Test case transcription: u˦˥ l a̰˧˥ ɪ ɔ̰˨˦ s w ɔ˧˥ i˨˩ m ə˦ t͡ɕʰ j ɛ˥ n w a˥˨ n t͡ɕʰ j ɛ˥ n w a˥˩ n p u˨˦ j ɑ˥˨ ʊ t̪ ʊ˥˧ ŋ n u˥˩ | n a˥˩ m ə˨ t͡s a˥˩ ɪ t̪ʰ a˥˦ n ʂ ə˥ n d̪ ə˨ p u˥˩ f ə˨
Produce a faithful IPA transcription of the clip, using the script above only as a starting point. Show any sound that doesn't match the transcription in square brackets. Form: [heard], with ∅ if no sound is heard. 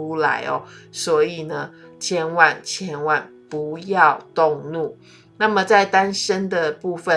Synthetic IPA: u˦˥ l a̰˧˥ ɪ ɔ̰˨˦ s w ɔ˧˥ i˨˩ [n] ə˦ t͡ɕʰ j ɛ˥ n w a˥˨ n t͡ɕʰ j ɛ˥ n w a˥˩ n p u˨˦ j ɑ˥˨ ʊ t̪ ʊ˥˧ ŋ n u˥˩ | n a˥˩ m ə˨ t͡s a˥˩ ɪ [t̪] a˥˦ n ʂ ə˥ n d̪ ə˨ p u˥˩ f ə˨